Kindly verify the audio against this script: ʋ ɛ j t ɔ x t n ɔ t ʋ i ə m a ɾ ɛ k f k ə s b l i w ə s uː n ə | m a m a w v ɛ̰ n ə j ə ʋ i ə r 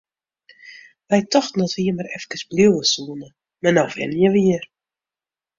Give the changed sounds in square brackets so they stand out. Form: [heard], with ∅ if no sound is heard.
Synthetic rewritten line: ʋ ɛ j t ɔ x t n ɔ t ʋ i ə m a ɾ ɛ [∅] f k ə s b l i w ə s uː n ə | m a [n] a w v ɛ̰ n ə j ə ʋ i ə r